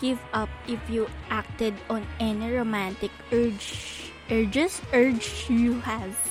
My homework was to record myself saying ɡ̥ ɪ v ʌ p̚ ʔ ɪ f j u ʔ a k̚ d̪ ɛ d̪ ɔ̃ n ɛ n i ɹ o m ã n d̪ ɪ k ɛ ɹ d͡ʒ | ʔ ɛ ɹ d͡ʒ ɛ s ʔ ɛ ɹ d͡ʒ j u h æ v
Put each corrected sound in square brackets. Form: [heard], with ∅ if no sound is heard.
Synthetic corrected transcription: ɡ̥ ɪ v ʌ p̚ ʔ ɪ f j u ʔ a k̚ [t̪] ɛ d̪ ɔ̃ n ɛ n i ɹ o m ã n [t̪] ɪ k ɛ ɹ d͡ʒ | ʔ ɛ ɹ d͡ʒ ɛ s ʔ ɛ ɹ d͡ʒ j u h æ v